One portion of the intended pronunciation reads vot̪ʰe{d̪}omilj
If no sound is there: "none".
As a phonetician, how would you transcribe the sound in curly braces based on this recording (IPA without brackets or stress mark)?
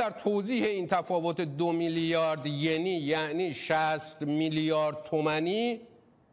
d̪